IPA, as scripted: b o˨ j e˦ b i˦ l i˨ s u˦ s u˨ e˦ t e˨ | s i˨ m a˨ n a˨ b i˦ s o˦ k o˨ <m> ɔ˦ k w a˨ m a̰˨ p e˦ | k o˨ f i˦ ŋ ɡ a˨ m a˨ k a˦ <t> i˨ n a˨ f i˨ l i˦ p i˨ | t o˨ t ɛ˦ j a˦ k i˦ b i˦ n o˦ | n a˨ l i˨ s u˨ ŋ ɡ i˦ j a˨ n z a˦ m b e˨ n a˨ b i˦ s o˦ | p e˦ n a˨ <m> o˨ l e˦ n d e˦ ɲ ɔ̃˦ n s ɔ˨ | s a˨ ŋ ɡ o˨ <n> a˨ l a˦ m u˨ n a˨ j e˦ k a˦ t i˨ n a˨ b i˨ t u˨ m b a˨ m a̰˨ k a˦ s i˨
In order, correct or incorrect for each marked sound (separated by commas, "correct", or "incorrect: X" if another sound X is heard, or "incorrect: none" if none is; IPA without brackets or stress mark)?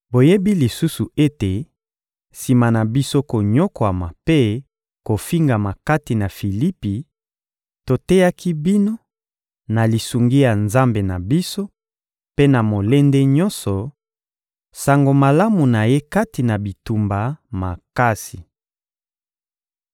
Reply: incorrect: ɲ, correct, correct, incorrect: m